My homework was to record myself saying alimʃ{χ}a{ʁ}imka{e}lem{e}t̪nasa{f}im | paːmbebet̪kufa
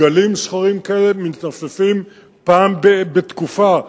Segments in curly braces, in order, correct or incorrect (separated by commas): correct, correct, correct, incorrect, correct